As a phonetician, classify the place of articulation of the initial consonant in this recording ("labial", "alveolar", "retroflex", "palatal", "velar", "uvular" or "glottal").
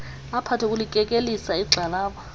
labial